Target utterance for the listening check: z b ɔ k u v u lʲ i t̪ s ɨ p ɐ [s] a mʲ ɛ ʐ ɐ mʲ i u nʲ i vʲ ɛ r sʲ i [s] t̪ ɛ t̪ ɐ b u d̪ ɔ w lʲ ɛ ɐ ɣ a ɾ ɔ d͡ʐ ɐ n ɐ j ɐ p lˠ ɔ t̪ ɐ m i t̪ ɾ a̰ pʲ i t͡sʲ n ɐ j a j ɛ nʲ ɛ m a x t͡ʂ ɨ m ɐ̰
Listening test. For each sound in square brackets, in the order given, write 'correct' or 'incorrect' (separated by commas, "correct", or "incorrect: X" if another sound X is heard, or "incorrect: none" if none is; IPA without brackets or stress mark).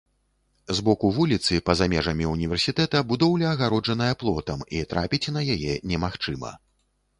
incorrect: z, incorrect: none